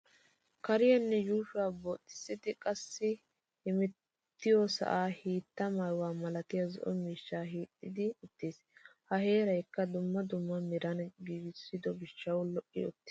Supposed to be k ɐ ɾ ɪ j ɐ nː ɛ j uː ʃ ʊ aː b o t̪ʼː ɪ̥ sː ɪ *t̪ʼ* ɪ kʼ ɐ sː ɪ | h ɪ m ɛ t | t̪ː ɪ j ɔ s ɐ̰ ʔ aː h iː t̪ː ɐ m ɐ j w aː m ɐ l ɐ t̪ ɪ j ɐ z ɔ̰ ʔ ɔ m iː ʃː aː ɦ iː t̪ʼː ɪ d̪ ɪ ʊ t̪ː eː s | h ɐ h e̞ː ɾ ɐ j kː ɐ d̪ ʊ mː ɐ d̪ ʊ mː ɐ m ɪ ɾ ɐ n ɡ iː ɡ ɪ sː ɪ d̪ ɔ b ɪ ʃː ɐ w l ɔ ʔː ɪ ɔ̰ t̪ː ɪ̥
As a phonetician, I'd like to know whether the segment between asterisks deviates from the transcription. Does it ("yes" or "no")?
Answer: yes